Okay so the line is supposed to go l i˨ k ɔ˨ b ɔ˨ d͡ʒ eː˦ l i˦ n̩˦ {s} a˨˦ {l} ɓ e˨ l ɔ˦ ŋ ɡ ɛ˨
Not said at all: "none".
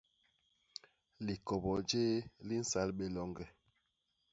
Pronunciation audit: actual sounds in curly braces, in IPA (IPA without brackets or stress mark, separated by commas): s, l